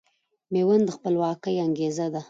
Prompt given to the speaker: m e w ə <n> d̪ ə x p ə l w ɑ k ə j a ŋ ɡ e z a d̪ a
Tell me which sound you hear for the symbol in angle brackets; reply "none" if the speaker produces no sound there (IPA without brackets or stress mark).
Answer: n